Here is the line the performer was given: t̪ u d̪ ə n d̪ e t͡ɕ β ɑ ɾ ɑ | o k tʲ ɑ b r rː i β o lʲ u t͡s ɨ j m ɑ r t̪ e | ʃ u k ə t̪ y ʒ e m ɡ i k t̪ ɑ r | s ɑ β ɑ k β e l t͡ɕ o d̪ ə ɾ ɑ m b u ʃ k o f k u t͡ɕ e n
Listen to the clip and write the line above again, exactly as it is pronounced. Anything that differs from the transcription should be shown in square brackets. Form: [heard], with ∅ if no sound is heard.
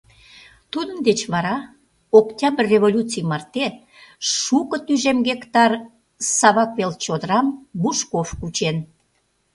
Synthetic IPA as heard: t̪ u d̪ ə n d̪ e t͡ɕ β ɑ ɾ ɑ | o k tʲ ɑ b r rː [e] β o lʲ u t͡s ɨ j m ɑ r t̪ e | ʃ u k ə t̪ y ʒ e m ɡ [e] k t̪ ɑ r | s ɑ β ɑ k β e l t͡ɕ o d̪ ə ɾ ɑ m b u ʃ k o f k u t͡ɕ e n

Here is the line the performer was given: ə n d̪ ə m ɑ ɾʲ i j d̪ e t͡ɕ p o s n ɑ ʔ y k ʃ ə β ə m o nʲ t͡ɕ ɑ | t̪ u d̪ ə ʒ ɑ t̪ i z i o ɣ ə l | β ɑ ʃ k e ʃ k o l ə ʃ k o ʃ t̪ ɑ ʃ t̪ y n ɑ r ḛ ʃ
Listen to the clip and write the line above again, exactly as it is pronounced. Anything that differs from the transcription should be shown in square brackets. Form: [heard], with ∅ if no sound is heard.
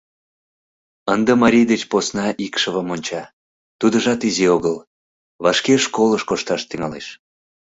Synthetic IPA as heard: ə n d̪ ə m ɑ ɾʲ i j d̪ e t͡ɕ p o s n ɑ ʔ [i] k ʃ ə β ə m o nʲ t͡ɕ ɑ | t̪ u d̪ ə ʒ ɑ t̪ i z i o ɣ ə l | β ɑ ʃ k e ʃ k o l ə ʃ k o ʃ t̪ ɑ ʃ t̪ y [ŋ] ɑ [l] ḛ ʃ

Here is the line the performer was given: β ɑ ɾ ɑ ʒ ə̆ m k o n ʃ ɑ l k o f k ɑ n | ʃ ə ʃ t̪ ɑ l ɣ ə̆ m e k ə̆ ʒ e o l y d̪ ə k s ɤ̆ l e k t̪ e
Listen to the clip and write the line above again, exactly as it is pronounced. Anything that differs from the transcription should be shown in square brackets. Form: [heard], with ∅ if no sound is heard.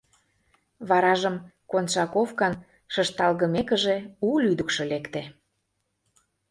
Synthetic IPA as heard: β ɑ ɾ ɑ ʒ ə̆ m k o n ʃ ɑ [∅] k o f k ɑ n | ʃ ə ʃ t̪ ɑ l ɣ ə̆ m e k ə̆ ʒ e [u] l y d̪ ə k [ʃ] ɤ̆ l e k t̪ e

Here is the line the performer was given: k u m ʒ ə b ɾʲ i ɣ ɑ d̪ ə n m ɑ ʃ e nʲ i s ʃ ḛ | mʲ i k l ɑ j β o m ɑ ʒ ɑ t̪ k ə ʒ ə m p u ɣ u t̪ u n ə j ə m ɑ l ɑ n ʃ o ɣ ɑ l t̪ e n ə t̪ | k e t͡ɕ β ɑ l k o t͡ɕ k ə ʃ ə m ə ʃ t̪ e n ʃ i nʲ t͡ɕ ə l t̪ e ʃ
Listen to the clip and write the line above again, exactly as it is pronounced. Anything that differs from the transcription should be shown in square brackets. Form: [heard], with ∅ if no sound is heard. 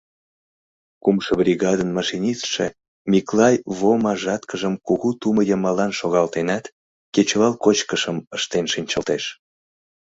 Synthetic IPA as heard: k u m [ʃ] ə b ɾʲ i ɣ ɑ d̪ ə n m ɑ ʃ [i] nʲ i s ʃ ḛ | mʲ i k l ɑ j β o m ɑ ʒ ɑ t̪ k ə ʒ ə m [k] u ɣ u t̪ u [m] ə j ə m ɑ l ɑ n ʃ o ɣ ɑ l t̪ e n [ɑ] t̪ | k e t͡ɕ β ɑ l k o t͡ɕ k ə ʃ ə m ə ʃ t̪ e n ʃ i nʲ t͡ɕ ə l t̪ e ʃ

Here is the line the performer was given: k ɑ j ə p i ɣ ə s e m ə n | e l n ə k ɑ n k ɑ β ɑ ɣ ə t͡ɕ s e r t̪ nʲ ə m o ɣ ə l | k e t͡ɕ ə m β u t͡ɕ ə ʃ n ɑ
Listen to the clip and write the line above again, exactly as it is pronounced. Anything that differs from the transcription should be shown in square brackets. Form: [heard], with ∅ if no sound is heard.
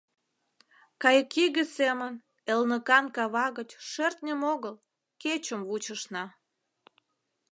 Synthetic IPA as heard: k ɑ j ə [k] i ɣ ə s e m ə n | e l n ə k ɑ n k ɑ β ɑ ɣ ə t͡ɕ [ʃ] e r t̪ nʲ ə m o ɣ ə l | k e t͡ɕ ə m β u t͡ɕ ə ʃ n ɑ

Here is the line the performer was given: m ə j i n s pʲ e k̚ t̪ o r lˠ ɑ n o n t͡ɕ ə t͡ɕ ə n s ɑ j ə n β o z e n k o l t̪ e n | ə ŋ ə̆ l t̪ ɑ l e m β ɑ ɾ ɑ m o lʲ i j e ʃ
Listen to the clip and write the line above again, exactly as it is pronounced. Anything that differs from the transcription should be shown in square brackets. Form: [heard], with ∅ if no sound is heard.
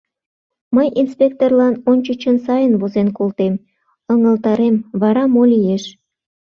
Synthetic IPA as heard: m ə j i n s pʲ e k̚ t̪ o r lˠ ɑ n o n t͡ɕ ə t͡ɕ ə n s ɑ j ə n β o z e n k o l t̪ e [m] | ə ŋ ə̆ l t̪ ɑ [ɾ] e m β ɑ ɾ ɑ m o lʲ i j e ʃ

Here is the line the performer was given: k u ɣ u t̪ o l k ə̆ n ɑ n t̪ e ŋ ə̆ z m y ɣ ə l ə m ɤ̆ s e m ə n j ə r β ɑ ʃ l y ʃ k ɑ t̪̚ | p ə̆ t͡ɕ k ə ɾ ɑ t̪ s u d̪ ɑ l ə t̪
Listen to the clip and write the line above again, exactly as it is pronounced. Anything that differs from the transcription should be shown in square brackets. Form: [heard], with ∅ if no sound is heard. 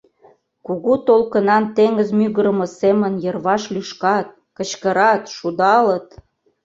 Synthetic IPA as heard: k u ɣ u t̪ o l k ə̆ n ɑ n t̪ e ŋ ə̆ z m y ɣ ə [ɾ] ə m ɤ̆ s e m ə n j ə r β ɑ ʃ l y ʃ k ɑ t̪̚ | [k] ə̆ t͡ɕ k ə ɾ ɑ t̪ [ʃ] u d̪ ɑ l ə t̪

